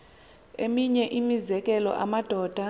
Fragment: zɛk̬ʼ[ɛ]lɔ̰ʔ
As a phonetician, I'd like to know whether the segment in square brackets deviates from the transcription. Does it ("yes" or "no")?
no